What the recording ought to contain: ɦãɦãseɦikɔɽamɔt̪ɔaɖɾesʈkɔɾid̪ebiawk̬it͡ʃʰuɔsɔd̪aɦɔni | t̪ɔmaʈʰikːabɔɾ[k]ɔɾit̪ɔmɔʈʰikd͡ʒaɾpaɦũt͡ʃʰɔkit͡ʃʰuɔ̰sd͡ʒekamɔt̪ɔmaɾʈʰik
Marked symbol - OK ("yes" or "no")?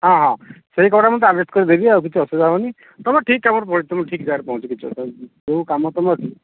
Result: no